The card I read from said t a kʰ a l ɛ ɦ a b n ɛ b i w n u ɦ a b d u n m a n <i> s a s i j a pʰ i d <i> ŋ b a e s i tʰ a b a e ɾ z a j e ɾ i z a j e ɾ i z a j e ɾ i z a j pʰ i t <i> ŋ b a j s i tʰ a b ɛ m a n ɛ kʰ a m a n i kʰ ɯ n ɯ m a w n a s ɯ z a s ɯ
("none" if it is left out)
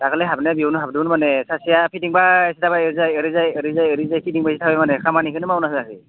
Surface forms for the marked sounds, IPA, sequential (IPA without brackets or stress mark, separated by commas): ɛ, i, i